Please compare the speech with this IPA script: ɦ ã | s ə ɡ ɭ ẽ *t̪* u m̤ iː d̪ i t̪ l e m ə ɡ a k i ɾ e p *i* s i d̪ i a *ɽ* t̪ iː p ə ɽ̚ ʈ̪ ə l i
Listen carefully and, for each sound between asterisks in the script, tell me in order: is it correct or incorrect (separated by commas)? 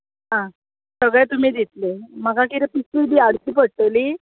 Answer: correct, correct, correct